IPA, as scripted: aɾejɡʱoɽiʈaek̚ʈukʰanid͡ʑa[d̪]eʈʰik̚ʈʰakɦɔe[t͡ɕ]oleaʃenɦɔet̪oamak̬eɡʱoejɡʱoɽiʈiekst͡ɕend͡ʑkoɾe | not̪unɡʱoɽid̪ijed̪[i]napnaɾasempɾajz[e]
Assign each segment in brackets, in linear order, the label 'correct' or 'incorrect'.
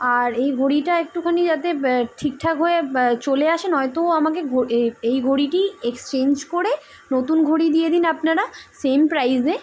incorrect: t̪, correct, correct, correct

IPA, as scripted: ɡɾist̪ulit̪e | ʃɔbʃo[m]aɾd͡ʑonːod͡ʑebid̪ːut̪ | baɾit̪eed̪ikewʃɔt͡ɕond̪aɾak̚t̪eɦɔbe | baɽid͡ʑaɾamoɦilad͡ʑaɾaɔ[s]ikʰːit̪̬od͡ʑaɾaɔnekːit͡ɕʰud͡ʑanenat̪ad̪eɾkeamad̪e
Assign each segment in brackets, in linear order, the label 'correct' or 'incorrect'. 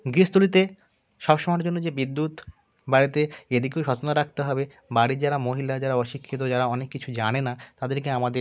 correct, incorrect: ʃ

